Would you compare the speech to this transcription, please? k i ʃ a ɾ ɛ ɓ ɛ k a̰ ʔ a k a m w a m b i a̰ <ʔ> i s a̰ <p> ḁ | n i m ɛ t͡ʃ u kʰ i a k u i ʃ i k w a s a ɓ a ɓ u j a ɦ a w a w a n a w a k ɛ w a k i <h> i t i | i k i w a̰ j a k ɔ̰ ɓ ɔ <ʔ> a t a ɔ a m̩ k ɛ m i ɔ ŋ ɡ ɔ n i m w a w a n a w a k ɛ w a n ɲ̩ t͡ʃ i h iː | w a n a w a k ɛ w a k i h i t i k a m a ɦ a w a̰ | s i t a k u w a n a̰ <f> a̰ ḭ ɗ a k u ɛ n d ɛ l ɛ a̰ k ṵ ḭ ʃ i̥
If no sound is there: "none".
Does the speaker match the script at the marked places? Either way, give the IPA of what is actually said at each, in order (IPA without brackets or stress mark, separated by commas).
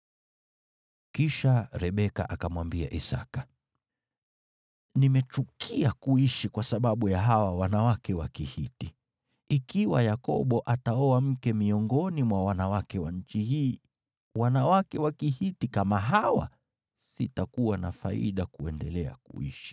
ʔ, k, h, ʔ, f